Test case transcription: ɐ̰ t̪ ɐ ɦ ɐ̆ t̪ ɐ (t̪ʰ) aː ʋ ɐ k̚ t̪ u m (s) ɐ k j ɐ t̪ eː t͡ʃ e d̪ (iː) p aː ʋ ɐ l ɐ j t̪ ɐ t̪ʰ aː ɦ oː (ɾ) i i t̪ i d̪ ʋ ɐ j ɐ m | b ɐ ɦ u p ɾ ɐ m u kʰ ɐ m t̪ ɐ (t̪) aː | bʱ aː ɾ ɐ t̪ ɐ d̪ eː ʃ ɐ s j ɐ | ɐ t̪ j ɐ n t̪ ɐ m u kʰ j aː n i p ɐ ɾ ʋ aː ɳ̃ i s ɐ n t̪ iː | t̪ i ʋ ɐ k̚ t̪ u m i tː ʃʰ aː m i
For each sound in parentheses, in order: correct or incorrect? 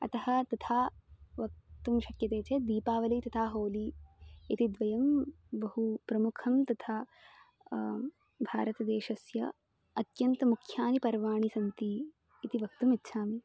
correct, incorrect: ʃ, correct, incorrect: l, incorrect: t̪ʰ

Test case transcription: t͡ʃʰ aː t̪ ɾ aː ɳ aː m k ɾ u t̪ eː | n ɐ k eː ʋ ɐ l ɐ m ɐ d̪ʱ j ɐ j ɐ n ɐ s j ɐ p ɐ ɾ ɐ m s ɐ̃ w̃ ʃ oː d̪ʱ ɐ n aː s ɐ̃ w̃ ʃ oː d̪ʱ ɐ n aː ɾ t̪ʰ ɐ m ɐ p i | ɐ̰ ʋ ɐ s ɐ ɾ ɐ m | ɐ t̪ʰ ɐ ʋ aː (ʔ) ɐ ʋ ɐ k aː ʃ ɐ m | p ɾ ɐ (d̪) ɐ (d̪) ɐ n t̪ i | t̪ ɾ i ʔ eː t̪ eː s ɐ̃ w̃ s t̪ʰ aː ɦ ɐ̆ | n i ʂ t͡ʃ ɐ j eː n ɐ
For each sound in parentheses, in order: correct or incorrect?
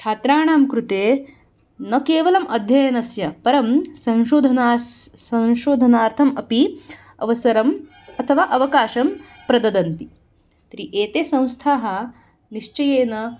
correct, correct, correct

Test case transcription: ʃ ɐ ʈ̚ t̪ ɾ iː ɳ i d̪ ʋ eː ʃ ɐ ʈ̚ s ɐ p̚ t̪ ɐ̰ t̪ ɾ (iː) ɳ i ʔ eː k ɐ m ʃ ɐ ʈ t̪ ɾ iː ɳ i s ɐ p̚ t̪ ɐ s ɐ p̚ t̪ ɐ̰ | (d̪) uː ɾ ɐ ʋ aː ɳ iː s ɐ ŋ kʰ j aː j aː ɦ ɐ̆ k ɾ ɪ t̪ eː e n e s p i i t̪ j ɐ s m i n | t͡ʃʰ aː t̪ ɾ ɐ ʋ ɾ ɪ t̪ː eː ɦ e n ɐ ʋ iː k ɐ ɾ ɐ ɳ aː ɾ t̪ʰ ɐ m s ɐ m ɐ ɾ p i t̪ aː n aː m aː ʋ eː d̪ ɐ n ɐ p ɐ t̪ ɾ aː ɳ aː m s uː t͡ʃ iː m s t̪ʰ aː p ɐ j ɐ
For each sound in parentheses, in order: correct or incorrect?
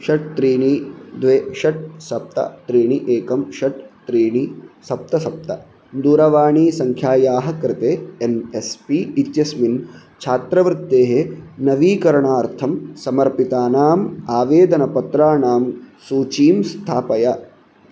correct, correct

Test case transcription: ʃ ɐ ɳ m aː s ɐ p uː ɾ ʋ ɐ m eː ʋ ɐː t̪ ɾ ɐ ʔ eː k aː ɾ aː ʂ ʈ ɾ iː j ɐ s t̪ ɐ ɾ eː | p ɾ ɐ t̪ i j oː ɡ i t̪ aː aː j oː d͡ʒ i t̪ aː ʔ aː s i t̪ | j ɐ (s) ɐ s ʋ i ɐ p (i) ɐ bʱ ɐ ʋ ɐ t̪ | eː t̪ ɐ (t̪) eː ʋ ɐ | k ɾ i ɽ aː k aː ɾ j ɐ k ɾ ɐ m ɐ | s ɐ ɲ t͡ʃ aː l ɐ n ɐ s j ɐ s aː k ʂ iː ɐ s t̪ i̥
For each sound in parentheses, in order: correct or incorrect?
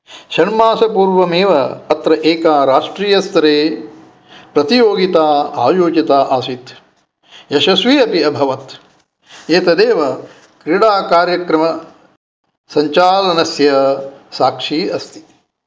incorrect: ʃ, correct, incorrect: d̪

